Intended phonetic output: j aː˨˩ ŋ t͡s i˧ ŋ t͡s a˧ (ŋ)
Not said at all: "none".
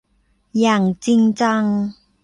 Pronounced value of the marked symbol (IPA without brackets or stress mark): ŋ